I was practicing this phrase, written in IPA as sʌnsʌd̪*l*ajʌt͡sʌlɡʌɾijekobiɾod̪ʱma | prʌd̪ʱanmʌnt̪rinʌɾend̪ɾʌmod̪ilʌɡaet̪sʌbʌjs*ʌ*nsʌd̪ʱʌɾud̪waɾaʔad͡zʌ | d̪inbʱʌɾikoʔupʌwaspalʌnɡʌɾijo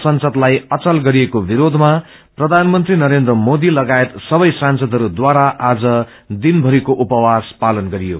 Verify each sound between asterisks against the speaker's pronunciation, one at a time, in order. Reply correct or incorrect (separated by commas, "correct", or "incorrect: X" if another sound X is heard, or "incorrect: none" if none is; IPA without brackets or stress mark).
correct, incorrect: a